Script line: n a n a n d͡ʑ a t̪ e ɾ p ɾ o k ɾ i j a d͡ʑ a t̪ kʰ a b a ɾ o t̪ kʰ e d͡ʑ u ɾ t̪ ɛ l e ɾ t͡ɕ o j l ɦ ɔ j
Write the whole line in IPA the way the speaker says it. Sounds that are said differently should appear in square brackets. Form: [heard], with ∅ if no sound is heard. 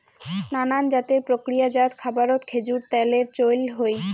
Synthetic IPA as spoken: n a n a n d͡ʑ a t̪ e ɾ p ɾ o k ɾ i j a d͡ʑ a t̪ kʰ a b a ɾ o t̪ kʰ e d͡ʑ u ɾ t̪ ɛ l e ɾ t͡ɕ o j l ɦ [o] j